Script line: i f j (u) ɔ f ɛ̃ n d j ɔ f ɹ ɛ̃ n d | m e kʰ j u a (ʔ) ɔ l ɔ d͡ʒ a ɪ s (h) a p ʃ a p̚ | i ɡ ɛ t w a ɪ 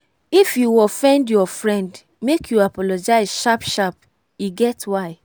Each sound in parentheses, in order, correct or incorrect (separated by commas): correct, incorrect, incorrect